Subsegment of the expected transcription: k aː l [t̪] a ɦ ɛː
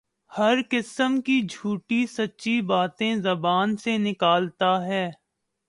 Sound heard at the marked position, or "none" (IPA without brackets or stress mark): t̪